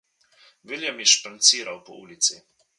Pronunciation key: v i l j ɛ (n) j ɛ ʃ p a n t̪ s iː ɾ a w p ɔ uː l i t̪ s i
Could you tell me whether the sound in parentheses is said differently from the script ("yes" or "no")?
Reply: yes